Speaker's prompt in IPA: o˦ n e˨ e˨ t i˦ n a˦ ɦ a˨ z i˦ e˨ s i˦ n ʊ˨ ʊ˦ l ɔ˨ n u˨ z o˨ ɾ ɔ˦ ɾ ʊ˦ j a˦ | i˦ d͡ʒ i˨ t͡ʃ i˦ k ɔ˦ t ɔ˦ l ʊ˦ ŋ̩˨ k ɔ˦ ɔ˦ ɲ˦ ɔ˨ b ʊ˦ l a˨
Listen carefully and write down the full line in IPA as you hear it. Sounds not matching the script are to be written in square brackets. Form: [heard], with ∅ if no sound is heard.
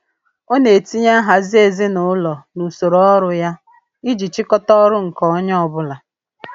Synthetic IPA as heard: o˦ n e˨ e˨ t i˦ [ɲ] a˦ ɦ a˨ z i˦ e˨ [z] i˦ n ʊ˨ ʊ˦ l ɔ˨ n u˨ [s] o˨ ɾ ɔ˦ ɾ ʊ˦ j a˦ | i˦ d͡ʒ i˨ t͡ʃ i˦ k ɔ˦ t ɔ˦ [ɾ] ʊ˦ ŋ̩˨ k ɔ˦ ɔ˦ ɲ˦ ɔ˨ b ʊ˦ l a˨